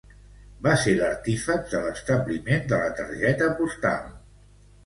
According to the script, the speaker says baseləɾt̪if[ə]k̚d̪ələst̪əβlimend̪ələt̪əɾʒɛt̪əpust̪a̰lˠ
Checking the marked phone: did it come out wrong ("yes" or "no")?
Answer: no